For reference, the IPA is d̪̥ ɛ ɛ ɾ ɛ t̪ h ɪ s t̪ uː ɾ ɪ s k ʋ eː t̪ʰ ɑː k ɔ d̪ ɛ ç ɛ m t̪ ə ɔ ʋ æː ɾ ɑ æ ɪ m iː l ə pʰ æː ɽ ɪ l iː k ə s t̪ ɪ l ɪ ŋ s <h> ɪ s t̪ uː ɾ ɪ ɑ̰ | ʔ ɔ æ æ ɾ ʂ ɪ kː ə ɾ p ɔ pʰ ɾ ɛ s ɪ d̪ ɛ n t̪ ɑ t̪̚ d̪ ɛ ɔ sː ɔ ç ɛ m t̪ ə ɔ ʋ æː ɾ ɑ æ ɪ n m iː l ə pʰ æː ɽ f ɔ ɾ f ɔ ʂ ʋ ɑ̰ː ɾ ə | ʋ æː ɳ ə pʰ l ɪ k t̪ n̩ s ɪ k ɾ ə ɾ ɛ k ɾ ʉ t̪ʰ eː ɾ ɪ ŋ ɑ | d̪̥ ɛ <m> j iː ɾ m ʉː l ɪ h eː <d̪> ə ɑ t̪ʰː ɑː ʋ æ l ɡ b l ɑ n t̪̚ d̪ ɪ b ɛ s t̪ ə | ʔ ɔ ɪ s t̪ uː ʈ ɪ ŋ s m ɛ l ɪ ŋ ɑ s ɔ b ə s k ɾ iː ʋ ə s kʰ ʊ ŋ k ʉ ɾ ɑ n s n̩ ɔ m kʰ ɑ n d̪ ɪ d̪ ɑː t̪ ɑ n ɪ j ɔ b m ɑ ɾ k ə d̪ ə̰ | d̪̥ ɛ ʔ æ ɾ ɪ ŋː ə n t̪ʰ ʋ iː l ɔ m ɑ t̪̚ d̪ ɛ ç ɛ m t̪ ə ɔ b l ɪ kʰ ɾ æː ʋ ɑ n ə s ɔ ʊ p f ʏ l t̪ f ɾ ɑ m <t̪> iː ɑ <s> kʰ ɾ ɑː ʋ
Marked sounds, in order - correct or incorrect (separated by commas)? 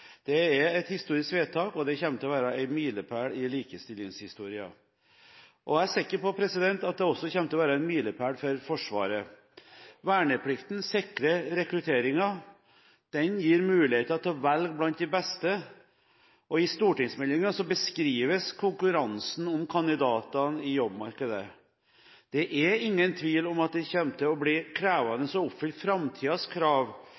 correct, incorrect, incorrect, incorrect, correct